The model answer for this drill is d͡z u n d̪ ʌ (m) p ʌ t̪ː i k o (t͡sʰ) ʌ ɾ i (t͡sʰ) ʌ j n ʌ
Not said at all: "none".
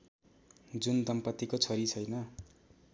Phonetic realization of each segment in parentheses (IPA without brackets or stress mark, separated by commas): m, t͡sʰ, t͡sʰ